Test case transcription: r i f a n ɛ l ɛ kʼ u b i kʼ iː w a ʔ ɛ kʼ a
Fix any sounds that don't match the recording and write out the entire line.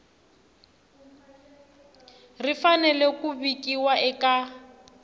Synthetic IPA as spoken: r i f a n ɛ l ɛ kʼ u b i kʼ i w a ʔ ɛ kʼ a